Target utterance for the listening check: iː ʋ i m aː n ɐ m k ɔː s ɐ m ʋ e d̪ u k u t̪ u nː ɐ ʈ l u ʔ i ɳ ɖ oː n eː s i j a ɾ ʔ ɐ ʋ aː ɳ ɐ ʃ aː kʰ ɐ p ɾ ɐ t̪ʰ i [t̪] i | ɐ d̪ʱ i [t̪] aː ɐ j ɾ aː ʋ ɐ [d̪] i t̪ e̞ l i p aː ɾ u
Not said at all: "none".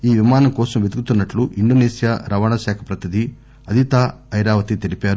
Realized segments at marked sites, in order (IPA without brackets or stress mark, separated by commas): d̪, t̪, t̪